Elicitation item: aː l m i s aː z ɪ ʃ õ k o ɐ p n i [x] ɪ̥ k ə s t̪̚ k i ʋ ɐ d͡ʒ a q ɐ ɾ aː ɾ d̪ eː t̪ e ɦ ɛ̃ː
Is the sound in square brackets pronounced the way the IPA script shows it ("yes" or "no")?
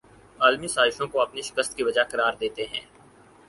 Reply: no